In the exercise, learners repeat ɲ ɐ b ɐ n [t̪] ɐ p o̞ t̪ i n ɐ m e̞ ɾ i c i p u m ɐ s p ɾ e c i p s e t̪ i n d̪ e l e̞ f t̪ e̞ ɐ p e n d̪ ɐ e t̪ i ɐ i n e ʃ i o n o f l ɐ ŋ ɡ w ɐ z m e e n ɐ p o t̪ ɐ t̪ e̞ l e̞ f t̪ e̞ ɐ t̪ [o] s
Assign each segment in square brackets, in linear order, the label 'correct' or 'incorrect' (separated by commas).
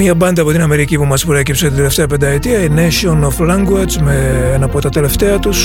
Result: incorrect, incorrect